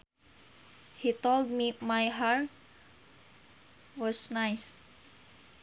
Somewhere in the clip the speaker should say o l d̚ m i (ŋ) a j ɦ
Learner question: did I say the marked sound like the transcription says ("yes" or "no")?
no